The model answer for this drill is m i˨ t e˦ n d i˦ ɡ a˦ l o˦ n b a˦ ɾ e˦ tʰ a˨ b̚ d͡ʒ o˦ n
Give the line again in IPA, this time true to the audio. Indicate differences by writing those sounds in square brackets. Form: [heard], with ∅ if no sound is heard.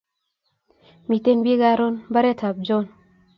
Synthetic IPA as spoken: m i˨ t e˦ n [b] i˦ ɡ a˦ [ɾ] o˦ n b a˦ ɾ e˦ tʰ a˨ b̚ d͡ʒ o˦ n

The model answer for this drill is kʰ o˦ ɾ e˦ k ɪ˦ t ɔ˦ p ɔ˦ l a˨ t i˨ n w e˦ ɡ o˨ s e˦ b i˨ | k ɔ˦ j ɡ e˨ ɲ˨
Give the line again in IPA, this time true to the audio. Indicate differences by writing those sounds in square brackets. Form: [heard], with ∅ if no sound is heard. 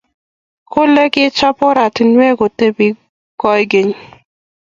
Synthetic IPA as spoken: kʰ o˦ [l] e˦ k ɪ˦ [t͡ʃ] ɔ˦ p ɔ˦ [ɾ] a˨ t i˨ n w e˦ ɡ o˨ [t] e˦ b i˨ | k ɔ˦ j ɡ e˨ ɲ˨

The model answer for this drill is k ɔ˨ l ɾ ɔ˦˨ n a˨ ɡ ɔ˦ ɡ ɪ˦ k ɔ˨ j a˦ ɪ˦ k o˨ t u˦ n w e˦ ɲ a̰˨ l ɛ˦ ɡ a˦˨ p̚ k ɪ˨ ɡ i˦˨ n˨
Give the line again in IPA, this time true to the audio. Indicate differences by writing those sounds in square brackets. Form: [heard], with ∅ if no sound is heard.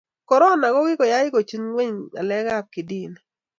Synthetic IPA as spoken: k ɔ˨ [∅] ɾ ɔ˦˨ n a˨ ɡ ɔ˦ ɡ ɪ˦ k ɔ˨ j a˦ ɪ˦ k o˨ [t͡ʃ] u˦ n w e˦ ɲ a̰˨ l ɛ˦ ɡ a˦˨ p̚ k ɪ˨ [d] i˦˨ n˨

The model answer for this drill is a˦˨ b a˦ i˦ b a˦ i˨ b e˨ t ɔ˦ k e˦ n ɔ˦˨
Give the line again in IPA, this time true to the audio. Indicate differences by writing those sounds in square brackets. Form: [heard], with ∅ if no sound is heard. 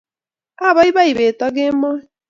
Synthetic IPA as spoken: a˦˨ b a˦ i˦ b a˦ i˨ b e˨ t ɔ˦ [ɡ] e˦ [m] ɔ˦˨

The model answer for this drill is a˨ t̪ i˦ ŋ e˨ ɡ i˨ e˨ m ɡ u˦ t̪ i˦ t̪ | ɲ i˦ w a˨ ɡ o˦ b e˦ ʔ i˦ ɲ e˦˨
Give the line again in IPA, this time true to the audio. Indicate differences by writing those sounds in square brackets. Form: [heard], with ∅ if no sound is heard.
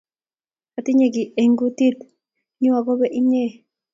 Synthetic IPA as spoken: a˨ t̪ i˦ [ɲ] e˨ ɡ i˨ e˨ [ŋ] ɡ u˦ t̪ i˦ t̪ | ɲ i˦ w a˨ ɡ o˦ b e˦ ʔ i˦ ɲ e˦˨

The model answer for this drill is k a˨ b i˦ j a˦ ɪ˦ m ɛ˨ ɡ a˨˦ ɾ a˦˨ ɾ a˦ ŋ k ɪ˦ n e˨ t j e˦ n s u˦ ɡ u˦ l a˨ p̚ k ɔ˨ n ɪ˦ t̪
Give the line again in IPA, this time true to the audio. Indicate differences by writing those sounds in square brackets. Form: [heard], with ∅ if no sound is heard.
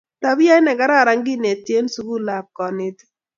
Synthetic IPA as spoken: [t] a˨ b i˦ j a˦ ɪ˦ [n] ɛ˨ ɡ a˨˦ ɾ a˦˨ ɾ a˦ ŋ [ɡ] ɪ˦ n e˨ t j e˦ n s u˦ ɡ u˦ l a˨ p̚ k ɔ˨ n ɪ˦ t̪

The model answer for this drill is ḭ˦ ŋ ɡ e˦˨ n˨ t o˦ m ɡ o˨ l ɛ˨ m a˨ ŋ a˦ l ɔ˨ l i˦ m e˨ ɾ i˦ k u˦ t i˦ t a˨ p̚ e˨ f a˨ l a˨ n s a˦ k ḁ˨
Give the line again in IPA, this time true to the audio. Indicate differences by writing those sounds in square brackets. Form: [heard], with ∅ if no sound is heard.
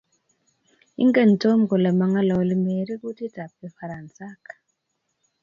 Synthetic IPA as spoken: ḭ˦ ŋ ɡ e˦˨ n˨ t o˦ m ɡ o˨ l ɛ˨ m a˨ ŋ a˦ l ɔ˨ l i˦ m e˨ ɾ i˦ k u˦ t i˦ t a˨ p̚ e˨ f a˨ [ɾ] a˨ n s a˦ k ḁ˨

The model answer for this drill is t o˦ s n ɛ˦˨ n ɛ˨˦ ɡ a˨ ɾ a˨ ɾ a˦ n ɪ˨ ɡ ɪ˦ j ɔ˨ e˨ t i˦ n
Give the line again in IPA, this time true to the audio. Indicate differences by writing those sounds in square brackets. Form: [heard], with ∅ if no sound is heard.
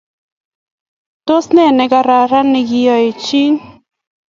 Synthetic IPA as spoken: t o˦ s n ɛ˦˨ n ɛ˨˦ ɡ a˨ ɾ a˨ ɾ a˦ n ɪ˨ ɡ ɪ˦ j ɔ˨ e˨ [t͡ʃ] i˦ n

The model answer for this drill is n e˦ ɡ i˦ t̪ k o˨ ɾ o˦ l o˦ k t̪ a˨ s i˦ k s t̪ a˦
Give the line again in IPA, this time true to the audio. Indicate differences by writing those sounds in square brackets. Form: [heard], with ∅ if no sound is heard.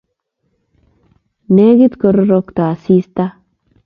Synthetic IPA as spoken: n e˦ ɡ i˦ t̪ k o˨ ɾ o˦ [ɾ] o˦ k t̪ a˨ s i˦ [∅] s t̪ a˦

